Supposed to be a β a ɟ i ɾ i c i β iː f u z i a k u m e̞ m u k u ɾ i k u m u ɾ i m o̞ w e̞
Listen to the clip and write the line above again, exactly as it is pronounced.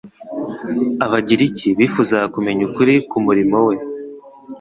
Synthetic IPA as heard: a β a ɟ i ɾ i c i β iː f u z a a k u m e̞ ɲ u k u ɾ i k u m u ɾ i m o̞ w e̞